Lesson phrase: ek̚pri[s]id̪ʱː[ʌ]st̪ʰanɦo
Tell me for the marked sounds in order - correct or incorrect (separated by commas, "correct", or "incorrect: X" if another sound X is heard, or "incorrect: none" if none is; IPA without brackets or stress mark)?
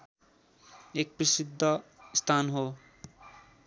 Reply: correct, correct